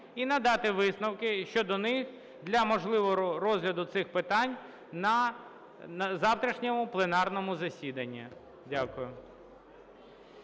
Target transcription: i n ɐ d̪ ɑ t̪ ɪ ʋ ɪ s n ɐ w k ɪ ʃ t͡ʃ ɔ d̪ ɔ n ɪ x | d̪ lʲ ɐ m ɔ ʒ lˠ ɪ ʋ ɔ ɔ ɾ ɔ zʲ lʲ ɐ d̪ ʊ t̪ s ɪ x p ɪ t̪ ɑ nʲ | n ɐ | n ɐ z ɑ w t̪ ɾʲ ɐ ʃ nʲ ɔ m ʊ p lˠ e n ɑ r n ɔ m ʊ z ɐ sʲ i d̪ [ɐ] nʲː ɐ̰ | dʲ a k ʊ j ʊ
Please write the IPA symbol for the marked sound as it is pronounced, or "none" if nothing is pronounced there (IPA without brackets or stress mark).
ɐ